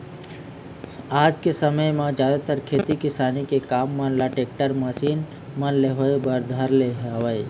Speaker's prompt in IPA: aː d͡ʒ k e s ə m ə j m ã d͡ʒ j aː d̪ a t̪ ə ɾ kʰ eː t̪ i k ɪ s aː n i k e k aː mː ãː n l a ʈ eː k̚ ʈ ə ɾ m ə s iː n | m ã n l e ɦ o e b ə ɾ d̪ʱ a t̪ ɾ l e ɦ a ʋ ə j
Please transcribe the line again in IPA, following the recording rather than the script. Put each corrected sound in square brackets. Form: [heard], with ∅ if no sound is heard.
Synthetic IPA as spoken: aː d͡ʒ k e s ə m ə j m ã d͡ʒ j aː d̪ a t̪ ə ɾ kʰ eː t̪ i k ɪ s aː n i k e k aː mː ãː n l a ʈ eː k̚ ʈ ə ɾ m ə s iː n | m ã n l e ɦ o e b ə ɾ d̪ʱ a [∅] ɾ l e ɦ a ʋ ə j